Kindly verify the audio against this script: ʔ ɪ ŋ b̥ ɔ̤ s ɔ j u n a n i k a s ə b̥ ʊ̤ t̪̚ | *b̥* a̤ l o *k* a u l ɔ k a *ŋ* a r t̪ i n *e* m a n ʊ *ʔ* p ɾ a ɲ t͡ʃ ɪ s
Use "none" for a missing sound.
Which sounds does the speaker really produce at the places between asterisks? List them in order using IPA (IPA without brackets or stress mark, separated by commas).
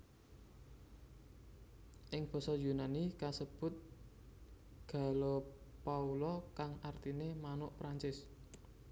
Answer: ɡ̥, p, ŋ, e, ʔ